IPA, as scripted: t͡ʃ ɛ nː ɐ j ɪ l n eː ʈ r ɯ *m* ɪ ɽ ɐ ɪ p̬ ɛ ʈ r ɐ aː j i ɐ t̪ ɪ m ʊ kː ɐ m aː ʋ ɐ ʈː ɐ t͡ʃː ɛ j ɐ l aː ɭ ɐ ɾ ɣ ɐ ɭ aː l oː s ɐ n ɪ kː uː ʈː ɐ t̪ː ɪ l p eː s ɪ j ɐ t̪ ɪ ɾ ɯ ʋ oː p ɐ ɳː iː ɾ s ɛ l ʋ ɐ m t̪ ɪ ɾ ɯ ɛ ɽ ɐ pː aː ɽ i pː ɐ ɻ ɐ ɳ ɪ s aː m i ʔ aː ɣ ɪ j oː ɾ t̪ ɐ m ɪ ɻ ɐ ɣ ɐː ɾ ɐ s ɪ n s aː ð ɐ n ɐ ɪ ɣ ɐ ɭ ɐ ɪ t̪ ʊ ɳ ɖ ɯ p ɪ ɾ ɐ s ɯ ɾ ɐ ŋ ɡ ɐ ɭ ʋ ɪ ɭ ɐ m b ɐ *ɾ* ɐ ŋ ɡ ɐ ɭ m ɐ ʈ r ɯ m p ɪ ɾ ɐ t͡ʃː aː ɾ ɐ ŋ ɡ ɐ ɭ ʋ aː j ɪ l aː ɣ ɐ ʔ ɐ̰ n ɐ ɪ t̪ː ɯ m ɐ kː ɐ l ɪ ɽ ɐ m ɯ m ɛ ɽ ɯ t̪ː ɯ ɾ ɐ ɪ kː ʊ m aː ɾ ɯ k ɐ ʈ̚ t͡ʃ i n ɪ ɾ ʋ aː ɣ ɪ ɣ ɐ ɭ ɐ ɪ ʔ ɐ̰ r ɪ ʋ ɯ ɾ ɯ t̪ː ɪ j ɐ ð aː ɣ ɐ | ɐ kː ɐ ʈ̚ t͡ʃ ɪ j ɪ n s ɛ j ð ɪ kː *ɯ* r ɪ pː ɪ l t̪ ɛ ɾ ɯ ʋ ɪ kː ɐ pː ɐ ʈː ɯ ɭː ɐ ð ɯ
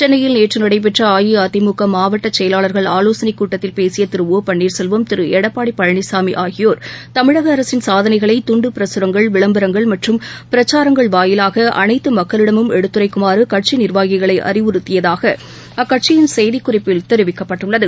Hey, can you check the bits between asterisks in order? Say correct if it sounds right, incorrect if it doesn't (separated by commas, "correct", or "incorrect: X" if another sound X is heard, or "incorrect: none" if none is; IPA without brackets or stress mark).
incorrect: n, correct, incorrect: ʊ